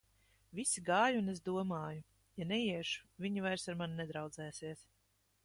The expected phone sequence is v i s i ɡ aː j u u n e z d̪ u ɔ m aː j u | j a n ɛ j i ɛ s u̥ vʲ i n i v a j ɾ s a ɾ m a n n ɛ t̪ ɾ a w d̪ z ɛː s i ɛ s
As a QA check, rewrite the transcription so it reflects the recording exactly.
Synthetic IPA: v i s i ɡ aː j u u n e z d̪ u ɔ m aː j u | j a n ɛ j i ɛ ʃ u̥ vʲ i ɲ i v a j ɾ s a ɾ m a n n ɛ d̪ ɾ a w d̪ z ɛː s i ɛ s